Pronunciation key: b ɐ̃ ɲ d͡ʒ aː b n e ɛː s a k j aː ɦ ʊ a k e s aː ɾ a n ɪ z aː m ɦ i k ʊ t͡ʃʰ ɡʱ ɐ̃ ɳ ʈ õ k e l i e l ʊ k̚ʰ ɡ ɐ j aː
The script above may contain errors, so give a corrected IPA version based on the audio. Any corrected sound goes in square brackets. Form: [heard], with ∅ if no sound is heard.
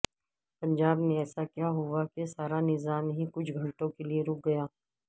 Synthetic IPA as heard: [p] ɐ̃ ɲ d͡ʒ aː b n e ɛː s a k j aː ɦ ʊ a k e s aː ɾ a n ɪ z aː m ɦ i k ʊ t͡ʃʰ ɡʱ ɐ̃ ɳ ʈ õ k e l i e [ɾ] ʊ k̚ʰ ɡ ɐ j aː